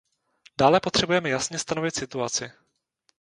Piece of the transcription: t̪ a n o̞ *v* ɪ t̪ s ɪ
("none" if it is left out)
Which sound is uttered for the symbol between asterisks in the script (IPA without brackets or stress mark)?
v